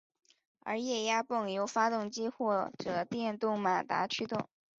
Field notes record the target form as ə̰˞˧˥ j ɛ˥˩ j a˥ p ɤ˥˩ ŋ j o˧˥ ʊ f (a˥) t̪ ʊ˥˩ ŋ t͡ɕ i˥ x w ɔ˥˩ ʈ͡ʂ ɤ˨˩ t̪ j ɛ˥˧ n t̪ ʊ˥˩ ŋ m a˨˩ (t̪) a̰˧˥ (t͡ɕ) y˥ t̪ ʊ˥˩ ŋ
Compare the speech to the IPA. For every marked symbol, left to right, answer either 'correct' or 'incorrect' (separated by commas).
correct, correct, incorrect